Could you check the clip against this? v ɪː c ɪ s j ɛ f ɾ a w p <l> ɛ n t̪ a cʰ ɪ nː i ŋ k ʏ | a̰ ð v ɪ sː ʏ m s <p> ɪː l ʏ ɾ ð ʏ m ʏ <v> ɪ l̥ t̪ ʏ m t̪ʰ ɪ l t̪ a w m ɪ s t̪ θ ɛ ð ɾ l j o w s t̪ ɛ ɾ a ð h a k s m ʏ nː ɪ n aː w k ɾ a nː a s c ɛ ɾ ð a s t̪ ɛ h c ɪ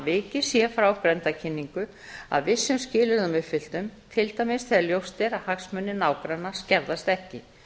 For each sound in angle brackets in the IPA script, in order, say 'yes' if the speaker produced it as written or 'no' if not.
no, no, no

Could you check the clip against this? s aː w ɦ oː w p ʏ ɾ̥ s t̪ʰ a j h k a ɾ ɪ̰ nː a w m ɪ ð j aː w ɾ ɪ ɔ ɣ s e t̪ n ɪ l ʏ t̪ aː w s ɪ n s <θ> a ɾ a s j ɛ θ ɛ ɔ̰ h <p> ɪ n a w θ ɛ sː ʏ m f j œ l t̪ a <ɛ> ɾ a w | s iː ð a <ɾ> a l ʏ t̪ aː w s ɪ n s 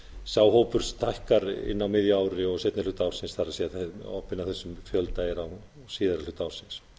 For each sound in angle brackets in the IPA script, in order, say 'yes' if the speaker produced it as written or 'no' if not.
yes, yes, yes, yes

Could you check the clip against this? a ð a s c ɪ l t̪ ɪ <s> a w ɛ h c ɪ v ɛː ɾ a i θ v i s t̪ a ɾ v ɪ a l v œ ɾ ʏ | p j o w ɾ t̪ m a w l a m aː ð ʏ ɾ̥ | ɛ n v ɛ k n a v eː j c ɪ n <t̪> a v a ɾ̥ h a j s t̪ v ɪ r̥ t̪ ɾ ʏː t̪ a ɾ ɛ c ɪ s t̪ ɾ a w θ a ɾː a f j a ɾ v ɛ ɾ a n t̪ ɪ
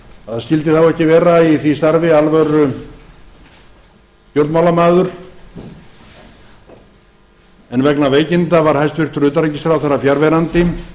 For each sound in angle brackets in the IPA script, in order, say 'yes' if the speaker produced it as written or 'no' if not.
no, yes

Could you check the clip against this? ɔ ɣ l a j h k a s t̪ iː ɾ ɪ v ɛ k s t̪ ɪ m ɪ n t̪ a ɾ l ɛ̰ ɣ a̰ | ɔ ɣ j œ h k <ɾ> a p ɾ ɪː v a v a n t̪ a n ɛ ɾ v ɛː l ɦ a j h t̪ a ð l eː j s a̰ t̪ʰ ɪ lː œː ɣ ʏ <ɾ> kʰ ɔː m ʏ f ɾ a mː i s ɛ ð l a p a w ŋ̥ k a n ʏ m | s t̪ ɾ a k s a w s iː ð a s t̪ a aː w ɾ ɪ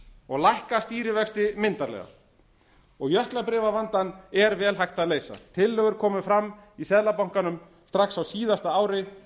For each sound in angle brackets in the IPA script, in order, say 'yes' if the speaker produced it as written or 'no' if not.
no, yes

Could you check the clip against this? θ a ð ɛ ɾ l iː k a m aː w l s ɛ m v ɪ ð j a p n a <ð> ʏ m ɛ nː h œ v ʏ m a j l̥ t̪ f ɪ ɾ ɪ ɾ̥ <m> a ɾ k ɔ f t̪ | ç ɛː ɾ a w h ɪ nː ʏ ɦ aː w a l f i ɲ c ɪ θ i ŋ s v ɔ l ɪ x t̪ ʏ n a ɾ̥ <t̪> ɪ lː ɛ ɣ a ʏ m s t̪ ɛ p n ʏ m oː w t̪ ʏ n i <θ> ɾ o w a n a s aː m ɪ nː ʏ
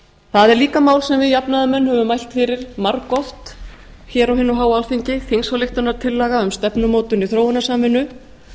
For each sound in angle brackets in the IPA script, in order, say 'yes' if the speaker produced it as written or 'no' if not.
yes, yes, no, yes

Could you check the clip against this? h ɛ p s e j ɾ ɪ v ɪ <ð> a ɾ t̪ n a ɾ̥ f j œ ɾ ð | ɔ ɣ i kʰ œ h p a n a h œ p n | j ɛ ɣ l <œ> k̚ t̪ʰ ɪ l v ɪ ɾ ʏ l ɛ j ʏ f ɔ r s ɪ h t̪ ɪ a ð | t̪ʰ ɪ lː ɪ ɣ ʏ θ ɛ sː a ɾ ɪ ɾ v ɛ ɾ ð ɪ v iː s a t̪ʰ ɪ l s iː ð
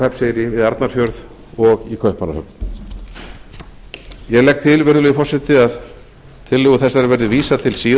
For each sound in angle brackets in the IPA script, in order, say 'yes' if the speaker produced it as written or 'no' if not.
yes, no

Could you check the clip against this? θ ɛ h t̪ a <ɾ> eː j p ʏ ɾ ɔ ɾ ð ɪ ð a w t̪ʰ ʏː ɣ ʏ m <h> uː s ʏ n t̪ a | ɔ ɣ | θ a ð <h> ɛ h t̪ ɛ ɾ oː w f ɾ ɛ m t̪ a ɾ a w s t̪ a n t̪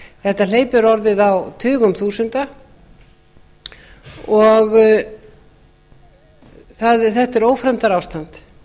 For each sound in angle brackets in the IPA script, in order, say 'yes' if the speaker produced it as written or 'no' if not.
no, no, no

